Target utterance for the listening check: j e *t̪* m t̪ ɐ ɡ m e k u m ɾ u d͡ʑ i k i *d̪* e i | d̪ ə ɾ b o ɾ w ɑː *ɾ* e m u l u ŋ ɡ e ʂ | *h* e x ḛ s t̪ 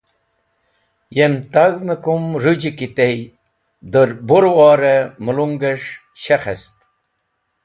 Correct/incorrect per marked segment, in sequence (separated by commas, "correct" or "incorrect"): incorrect, incorrect, correct, incorrect